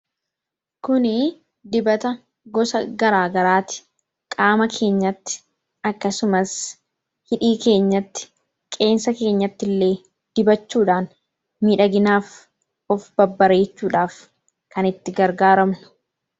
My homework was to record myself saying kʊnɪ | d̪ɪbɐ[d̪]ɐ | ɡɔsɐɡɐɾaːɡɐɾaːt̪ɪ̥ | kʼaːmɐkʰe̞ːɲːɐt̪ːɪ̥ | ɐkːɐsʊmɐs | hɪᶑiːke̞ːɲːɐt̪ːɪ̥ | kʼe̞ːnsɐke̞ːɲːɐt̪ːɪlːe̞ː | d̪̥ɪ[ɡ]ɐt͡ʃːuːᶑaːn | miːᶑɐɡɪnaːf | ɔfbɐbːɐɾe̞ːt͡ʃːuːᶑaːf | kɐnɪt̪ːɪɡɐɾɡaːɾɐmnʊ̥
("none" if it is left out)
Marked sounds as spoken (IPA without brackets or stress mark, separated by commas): t̪, b